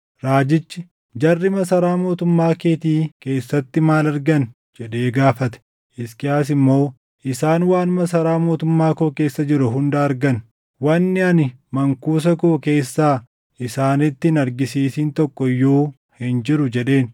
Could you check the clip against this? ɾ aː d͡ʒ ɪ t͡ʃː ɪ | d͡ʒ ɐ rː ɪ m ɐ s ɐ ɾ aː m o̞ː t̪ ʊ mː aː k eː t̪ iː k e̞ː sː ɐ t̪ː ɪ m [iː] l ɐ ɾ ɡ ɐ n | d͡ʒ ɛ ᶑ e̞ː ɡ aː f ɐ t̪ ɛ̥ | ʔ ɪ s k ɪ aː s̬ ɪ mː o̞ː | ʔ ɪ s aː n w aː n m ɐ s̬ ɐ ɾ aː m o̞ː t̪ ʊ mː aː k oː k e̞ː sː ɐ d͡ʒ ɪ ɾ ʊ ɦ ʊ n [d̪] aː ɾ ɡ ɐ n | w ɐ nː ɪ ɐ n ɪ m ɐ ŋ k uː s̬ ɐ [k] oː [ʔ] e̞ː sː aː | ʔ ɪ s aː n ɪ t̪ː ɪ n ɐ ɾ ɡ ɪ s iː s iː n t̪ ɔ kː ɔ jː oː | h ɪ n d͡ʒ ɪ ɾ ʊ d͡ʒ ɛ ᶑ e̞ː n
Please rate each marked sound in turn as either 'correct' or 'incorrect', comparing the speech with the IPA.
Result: incorrect, correct, correct, incorrect

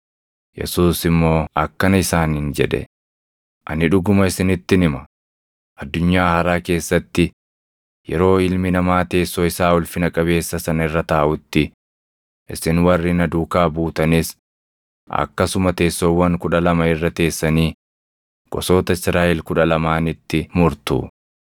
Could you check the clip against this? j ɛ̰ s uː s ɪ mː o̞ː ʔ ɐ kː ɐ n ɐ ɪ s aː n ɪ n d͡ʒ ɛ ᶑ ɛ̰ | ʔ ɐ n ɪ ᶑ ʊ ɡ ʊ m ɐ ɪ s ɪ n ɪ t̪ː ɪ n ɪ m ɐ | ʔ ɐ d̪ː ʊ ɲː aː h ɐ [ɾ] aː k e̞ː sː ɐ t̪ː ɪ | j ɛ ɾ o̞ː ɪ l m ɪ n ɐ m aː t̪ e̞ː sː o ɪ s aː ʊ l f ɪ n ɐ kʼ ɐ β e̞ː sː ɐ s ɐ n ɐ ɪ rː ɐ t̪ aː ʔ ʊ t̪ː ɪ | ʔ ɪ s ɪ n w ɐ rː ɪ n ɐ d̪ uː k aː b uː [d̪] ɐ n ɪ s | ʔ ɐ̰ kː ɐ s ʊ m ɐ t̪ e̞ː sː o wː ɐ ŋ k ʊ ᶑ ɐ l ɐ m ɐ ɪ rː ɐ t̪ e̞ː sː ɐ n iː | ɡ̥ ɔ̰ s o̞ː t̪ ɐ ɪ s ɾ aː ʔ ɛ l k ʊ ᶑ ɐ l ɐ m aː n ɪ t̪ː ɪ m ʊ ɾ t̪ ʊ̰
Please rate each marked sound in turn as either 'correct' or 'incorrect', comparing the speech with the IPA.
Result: correct, incorrect

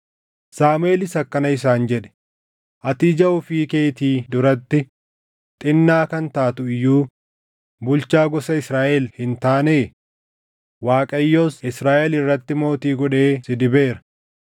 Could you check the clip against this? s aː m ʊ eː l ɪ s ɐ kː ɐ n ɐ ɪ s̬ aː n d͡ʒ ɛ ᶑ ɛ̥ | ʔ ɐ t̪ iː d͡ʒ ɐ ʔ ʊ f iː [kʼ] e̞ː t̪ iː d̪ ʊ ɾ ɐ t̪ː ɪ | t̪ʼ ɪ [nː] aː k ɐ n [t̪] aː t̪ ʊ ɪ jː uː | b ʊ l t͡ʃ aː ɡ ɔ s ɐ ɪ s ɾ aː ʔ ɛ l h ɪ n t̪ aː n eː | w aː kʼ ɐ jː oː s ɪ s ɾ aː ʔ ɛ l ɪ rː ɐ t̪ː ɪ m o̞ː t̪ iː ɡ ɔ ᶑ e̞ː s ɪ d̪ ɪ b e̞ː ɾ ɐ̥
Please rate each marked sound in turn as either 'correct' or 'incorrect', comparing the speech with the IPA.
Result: incorrect, correct, correct

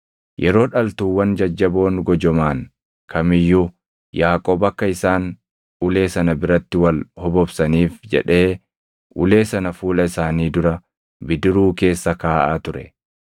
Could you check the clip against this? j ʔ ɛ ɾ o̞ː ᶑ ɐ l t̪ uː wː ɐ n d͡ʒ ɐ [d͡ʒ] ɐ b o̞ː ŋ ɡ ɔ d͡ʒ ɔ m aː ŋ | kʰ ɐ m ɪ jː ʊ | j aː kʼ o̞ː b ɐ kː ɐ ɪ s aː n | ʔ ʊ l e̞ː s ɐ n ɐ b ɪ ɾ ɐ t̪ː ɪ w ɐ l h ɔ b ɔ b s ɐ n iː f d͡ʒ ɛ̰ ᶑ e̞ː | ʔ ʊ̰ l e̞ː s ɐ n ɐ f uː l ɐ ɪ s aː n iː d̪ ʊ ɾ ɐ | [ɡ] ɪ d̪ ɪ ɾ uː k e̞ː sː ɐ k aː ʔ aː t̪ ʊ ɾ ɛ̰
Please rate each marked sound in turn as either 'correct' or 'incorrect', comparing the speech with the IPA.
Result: incorrect, incorrect

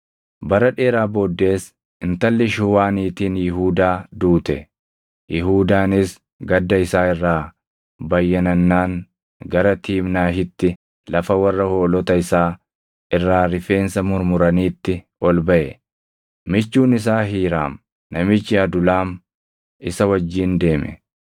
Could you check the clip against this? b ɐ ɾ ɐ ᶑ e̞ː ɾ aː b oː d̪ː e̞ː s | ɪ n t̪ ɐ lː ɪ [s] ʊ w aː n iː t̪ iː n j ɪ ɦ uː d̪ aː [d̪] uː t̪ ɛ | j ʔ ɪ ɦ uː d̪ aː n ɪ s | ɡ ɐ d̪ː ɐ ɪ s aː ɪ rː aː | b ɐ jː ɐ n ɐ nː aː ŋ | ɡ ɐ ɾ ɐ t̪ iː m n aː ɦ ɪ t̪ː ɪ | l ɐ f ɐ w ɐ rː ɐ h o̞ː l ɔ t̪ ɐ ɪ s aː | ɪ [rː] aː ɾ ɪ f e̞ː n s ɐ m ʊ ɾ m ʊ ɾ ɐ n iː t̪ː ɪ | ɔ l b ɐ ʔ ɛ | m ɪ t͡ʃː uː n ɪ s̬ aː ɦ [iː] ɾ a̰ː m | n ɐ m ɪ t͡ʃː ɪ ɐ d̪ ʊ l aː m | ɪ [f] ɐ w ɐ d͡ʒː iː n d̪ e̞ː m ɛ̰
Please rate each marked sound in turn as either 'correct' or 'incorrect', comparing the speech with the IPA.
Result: incorrect, correct, correct, correct, incorrect

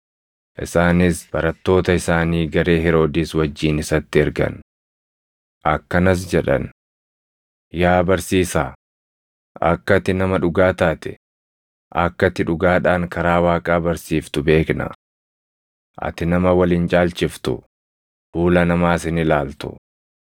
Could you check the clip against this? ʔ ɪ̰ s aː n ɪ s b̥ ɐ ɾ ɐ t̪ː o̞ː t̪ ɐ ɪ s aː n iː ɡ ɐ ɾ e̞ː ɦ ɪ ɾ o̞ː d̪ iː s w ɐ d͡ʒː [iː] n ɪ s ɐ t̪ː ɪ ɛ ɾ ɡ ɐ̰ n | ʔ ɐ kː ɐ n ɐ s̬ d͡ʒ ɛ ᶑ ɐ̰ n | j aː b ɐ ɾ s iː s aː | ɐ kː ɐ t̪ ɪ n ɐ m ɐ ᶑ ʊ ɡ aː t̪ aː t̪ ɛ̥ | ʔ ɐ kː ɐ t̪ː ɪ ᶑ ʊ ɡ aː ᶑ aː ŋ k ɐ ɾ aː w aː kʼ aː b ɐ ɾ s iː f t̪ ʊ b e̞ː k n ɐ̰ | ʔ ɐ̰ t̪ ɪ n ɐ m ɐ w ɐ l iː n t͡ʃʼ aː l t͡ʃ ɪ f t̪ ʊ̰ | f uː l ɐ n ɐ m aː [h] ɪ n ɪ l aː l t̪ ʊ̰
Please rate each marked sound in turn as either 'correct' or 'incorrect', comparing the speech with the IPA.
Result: correct, incorrect

